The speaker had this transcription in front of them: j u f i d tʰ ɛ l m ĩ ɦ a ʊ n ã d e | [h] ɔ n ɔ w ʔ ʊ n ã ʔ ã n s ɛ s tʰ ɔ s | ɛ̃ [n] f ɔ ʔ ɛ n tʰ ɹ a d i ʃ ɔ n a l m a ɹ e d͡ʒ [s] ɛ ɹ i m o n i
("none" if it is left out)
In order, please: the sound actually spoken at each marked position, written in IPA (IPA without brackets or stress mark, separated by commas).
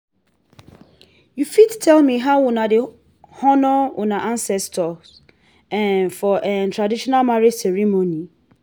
h, n, s